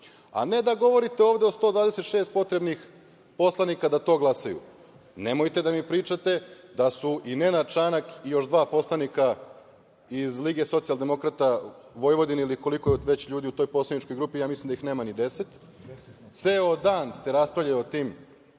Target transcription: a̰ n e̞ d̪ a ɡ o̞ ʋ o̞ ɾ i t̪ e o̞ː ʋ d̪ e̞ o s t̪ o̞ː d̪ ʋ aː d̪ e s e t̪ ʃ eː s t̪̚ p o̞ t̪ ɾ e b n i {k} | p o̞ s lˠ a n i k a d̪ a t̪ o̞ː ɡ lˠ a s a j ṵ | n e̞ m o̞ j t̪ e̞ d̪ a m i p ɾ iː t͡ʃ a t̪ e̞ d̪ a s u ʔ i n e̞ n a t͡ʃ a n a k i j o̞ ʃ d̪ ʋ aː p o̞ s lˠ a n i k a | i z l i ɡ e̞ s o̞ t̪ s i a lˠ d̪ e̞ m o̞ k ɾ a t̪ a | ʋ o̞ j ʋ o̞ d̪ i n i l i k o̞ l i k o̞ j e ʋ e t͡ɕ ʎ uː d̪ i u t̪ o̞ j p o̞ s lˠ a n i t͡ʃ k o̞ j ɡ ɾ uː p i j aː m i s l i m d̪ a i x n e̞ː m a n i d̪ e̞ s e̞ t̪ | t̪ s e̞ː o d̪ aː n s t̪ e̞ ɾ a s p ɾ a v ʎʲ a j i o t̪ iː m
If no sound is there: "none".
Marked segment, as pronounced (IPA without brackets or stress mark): x